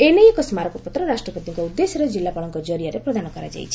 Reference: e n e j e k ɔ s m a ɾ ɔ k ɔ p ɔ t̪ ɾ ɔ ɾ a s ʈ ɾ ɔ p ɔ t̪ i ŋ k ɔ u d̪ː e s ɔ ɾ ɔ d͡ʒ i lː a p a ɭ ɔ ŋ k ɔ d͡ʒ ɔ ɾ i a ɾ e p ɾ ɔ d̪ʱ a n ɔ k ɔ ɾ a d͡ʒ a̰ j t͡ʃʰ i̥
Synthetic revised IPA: e n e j e k ɔ s m a ɾ ɔ k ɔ p ɔ t̪ ɾ ɔ ɾ a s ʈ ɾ ɔ p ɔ t̪ i ŋ k ɔ u d̪ː e s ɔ ɾ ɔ d͡ʒ i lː a p a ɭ ɔ ŋ k ɔ d͡ʒ ɔ ɾ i a ɾ e p ɾ ɔ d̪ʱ a n ɔ k ɔ ɾ a d͡ʒ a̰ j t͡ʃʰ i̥